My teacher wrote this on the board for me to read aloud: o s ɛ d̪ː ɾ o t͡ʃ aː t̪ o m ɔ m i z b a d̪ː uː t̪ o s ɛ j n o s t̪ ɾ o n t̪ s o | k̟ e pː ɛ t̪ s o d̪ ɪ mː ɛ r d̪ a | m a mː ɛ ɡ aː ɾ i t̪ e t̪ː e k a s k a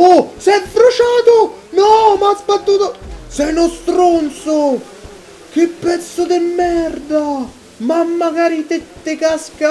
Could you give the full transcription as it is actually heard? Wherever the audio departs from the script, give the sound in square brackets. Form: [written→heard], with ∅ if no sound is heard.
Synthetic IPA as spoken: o s ɛ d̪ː ɾ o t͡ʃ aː t̪ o [m→n] ɔ m [i→a] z b a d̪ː uː t̪ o s ɛ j n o s t̪ ɾ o n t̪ s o | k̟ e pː ɛ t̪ s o d̪ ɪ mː ɛ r d̪ a | m a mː [ɛ→a] ɡ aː ɾ i t̪ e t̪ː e k a s k a